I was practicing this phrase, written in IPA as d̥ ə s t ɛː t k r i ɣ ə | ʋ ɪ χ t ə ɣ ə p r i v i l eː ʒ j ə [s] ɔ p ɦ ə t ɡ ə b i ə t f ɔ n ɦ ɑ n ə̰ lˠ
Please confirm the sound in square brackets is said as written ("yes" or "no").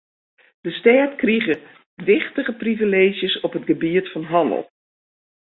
yes